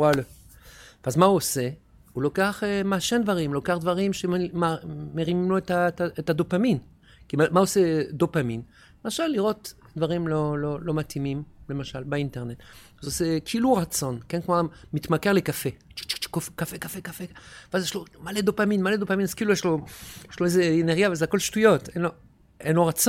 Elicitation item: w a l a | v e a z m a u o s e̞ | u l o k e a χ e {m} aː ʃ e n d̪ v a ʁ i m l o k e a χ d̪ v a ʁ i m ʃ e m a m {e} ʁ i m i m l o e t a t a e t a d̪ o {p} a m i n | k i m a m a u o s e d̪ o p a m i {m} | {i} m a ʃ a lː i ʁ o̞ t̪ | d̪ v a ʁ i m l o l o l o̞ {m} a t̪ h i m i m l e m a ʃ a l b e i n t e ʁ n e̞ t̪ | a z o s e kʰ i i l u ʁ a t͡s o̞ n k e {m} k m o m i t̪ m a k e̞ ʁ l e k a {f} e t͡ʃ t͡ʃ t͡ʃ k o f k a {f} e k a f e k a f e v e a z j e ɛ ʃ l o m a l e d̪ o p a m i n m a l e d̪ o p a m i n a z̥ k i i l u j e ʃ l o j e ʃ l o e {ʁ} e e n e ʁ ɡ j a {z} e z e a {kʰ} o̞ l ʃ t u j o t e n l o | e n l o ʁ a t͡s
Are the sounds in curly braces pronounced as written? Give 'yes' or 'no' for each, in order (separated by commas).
yes, yes, yes, no, no, yes, no, yes, yes, no, no, no